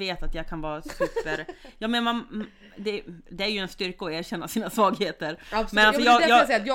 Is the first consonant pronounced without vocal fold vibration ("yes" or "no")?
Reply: yes